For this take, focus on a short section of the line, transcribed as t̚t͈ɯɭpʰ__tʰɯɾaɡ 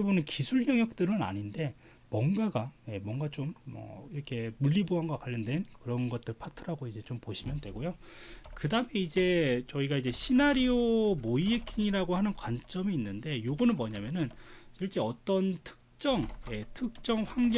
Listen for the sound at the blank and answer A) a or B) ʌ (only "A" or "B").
A